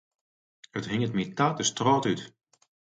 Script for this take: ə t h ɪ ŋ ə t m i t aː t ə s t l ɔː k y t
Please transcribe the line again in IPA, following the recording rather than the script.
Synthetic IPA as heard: ə t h ɪ ŋ ə t m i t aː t ə s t r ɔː t y t